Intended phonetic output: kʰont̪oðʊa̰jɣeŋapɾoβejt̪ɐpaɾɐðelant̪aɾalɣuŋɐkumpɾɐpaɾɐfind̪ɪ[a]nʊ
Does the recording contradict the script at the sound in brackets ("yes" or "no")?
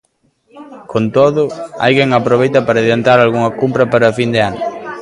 no